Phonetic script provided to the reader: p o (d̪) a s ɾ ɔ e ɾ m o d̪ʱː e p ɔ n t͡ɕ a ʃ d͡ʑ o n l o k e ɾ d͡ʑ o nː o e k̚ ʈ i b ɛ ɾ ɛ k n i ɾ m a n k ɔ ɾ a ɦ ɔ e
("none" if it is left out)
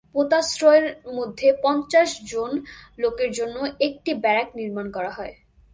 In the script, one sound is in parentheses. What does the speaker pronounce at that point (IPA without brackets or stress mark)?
t̪